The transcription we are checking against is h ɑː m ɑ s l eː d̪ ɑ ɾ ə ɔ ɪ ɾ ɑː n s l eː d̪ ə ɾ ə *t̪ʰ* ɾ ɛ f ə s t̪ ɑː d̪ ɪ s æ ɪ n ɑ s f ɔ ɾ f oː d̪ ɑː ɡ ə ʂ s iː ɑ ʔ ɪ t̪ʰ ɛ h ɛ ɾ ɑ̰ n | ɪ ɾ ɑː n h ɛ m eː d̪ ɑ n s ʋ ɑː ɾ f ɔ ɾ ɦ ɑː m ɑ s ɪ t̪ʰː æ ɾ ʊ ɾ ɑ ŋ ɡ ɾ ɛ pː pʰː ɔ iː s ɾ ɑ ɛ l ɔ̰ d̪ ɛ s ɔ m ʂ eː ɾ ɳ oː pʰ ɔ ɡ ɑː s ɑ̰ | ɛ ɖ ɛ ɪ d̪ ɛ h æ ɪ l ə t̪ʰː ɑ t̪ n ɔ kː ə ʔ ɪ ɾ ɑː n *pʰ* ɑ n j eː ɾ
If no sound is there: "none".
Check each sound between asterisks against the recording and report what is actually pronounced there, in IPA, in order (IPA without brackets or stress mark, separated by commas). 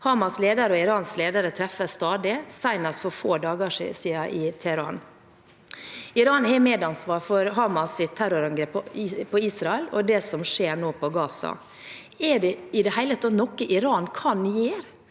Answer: t̪ʰ, kʰ